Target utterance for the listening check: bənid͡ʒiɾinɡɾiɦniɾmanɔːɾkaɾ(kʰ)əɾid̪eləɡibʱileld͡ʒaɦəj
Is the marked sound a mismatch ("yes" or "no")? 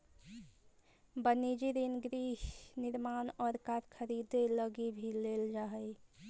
no